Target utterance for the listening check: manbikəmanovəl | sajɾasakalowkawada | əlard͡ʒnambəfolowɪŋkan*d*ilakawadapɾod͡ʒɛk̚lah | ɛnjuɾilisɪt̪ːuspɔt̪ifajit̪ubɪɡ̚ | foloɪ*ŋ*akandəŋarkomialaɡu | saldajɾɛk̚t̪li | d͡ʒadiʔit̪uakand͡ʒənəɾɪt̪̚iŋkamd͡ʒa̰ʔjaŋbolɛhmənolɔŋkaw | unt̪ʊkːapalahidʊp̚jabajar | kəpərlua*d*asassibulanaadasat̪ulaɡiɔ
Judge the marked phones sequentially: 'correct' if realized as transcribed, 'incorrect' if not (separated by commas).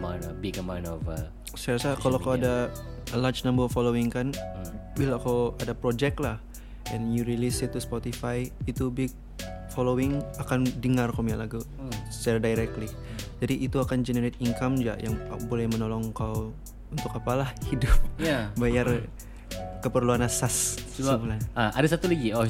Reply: incorrect, correct, incorrect